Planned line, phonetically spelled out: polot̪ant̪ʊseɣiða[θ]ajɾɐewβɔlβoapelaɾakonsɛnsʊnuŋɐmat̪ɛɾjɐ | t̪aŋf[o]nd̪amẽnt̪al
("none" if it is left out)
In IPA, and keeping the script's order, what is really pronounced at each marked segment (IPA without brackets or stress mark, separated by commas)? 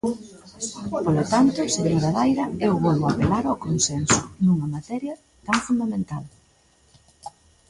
ð, u